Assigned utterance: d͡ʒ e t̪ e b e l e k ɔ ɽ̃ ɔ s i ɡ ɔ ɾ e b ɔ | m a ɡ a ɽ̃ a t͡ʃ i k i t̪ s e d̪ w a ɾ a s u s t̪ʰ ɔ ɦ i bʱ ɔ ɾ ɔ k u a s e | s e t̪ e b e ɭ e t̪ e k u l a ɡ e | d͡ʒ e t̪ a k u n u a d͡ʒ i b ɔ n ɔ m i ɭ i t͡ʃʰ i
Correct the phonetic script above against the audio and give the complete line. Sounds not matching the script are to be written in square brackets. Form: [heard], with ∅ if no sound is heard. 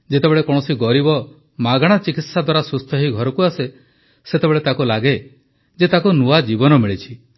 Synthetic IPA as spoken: d͡ʒ e t̪ e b e [ɭ] e k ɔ ɽ̃ ɔ s i ɡ ɔ ɾ [i] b ɔ | m a ɡ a ɽ̃ a t͡ʃ i k i t̪ s [a] d̪ w a ɾ a s u s t̪ʰ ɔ ɦ i [ɡʱ] ɔ ɾ ɔ k u a s e | s e t̪ e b e ɭ e t̪ [a] k u l a ɡ e | d͡ʒ e t̪ a k u n u a d͡ʒ i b ɔ n ɔ m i ɭ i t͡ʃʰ i